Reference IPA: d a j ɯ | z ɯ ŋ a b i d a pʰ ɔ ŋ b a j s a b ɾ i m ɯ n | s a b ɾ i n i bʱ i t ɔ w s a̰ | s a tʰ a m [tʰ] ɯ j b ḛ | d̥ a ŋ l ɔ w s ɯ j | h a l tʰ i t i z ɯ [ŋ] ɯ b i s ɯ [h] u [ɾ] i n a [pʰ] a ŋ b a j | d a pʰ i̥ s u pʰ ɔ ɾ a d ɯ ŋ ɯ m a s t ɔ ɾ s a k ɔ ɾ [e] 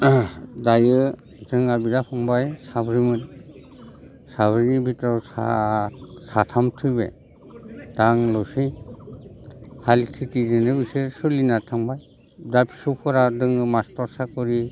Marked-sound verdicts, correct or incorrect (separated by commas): correct, incorrect, incorrect, incorrect, incorrect, incorrect